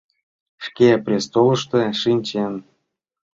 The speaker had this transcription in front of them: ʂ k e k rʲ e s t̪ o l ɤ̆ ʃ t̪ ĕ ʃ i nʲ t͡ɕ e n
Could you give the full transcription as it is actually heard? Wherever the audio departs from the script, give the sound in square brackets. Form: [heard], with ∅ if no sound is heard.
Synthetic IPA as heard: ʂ k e [p] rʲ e s t̪ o l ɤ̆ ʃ t̪ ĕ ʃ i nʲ t͡ɕ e n